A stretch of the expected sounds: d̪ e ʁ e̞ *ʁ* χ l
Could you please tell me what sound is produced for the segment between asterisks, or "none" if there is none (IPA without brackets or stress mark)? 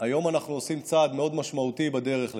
none